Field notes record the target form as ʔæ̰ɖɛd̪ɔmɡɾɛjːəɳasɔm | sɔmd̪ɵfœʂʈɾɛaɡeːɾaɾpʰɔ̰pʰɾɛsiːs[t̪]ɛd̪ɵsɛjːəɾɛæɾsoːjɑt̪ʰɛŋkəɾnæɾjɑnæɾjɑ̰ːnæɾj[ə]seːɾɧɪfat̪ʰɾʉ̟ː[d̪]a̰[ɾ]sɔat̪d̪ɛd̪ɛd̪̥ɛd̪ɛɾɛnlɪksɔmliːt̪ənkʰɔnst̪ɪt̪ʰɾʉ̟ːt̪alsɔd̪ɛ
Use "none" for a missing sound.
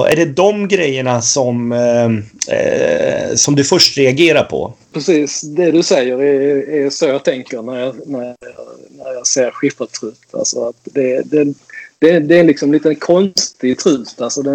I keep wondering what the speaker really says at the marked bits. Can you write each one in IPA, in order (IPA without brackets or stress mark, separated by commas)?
d̪, ɑ, t̪, l